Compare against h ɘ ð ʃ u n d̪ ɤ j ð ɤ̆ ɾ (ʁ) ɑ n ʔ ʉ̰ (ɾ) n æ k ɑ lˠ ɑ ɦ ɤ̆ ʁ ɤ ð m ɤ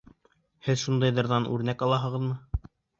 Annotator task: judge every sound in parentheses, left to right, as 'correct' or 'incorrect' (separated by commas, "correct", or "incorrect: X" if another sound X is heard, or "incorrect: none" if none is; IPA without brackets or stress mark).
incorrect: ð, correct